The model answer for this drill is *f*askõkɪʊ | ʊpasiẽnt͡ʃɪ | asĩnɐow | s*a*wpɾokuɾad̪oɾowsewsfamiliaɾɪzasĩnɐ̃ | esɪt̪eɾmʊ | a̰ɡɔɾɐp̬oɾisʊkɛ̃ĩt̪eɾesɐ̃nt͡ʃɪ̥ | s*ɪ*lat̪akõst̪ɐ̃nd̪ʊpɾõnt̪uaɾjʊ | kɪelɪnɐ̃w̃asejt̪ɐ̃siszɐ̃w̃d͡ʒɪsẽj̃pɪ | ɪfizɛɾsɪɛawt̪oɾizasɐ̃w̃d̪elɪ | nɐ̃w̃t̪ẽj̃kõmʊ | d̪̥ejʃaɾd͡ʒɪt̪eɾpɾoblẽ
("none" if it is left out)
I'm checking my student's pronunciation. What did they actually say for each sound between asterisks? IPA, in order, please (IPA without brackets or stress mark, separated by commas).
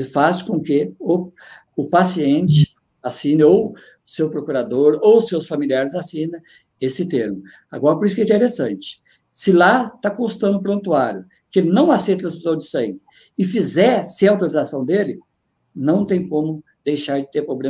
f, e, ɪ